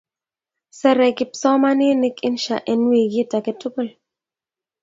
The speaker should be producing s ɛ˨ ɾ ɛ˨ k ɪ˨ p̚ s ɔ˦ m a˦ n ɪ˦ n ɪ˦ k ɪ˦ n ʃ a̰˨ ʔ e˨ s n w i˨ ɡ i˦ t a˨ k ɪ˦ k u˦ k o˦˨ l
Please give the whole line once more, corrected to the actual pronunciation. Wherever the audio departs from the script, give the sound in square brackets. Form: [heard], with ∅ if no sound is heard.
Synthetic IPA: s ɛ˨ ɾ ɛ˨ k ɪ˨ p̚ s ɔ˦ m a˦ n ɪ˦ n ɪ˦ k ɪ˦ n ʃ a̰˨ ʔ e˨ [∅] n w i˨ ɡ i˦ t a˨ k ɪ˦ [t] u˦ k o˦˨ l